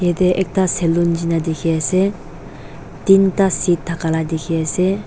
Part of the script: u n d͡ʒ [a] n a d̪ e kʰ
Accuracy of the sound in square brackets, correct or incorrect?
incorrect: i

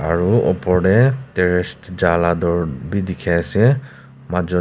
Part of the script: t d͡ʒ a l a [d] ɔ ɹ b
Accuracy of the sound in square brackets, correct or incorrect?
correct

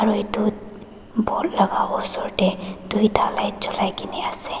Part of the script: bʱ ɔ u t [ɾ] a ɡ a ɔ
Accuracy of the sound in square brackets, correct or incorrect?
incorrect: l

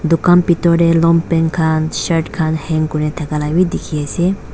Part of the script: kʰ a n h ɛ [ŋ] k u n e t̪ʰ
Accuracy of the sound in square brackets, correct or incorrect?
correct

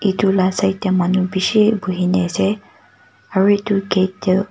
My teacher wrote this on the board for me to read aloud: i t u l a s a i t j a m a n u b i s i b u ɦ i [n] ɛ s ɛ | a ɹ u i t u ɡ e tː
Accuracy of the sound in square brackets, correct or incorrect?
correct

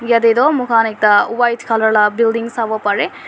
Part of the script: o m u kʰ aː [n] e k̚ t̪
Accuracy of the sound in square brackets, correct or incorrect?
correct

